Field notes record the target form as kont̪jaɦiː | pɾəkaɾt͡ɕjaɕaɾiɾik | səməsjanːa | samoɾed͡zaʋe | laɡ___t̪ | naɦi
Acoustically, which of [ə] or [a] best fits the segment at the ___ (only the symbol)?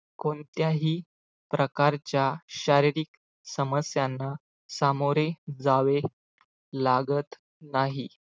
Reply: ə